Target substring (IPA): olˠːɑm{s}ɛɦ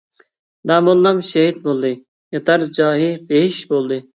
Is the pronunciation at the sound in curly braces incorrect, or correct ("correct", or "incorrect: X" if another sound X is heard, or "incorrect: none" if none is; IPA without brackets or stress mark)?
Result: incorrect: ʃ